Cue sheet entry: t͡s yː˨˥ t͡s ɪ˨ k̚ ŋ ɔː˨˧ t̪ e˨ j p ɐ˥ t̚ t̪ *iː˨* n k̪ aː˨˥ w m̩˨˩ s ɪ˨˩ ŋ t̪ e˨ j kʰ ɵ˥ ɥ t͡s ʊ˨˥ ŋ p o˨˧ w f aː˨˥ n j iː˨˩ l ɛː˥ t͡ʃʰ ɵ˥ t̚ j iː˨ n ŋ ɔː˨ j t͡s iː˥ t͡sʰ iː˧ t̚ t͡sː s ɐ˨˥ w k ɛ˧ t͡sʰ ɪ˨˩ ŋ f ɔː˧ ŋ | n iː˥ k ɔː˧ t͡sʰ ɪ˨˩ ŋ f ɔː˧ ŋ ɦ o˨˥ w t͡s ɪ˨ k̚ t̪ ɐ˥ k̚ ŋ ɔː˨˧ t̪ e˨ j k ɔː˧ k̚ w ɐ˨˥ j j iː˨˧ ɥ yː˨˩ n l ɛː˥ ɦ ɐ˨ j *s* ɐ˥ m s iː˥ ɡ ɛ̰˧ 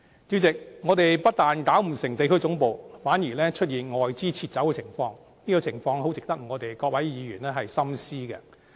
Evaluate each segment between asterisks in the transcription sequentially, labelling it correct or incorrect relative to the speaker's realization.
incorrect: aː˨, correct

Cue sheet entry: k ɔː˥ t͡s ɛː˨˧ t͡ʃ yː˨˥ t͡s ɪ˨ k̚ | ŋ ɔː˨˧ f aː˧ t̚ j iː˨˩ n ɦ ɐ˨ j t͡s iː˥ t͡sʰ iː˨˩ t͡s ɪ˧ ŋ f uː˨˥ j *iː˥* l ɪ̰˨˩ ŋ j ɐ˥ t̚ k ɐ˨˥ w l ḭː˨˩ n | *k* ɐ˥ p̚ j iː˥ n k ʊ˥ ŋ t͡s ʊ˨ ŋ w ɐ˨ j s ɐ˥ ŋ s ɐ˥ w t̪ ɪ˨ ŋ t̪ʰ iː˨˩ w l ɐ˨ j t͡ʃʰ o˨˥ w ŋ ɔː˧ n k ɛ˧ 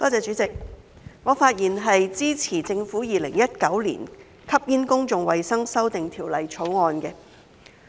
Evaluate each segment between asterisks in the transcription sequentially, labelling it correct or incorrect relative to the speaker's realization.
incorrect: iː˨, incorrect: kʰ

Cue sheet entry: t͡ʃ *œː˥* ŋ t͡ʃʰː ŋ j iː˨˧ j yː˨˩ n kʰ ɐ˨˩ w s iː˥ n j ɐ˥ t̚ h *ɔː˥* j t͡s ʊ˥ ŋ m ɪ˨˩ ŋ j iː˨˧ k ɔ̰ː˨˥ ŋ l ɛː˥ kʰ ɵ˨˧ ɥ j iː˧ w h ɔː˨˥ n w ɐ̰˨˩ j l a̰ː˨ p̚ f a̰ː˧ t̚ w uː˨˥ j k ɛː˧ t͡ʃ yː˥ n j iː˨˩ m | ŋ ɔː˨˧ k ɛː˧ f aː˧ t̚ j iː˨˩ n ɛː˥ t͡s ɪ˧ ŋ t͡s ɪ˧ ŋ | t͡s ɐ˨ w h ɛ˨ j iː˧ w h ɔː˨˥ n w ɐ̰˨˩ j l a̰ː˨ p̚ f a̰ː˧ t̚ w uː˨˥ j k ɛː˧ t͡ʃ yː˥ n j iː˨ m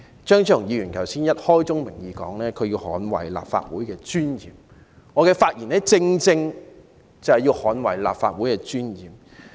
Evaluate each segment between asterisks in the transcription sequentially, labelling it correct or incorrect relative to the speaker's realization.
correct, correct

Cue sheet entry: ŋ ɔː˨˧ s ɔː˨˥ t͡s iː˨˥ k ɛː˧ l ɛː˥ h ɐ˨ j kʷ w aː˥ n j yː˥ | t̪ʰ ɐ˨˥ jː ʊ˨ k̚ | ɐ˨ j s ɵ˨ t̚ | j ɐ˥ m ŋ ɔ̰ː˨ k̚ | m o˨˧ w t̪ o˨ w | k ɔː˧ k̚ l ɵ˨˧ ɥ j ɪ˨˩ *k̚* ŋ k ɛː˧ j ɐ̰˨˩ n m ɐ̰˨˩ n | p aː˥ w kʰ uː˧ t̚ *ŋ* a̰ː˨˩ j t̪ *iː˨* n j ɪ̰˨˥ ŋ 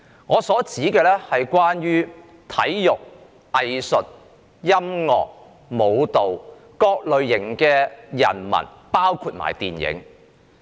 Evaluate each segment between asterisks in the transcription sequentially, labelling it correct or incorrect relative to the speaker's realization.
incorrect: none, incorrect: m, correct

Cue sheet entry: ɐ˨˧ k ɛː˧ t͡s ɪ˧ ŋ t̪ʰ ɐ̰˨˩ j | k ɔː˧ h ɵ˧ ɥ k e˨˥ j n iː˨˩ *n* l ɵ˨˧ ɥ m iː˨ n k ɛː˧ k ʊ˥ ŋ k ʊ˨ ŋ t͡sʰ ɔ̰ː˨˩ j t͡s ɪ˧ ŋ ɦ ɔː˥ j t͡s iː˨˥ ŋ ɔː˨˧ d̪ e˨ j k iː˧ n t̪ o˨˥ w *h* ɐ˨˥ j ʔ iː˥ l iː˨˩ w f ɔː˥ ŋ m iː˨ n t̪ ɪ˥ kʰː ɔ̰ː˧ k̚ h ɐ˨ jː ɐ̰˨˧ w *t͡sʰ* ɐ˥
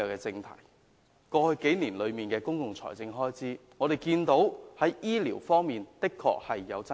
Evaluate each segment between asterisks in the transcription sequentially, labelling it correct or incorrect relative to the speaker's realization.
correct, correct, incorrect: t͡s

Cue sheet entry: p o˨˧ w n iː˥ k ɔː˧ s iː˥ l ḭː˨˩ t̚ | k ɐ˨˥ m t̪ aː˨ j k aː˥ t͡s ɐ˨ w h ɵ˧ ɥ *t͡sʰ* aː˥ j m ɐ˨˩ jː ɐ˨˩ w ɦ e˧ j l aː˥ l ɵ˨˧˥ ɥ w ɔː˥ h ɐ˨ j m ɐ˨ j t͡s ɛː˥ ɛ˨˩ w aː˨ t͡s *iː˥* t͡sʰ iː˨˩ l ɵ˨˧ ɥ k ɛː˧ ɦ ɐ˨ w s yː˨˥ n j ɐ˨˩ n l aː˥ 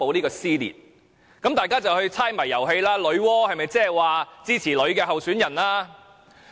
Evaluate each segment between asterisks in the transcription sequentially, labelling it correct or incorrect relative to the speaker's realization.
correct, correct

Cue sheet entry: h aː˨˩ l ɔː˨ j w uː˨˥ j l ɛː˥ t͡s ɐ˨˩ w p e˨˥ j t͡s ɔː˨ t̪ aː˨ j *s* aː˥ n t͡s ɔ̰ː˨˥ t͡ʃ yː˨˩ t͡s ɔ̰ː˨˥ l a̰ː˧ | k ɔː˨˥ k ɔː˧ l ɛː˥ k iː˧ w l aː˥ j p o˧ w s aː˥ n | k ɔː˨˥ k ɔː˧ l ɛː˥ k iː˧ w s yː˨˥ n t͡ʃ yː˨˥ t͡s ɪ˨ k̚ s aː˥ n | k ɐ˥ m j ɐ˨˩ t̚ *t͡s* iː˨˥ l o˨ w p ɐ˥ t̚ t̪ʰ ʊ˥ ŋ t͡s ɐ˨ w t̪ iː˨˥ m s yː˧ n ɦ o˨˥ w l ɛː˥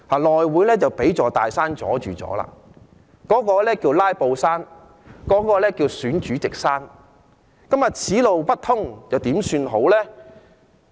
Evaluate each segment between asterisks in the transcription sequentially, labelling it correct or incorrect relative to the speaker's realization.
correct, incorrect: t͡sʰ

